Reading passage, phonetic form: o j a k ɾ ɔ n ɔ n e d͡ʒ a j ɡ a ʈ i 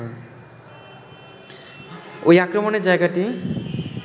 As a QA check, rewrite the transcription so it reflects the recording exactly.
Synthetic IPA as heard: o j a k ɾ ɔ m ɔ n e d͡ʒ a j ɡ a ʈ i